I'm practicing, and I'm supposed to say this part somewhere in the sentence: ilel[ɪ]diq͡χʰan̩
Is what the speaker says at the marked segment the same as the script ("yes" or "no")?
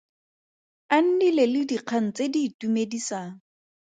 yes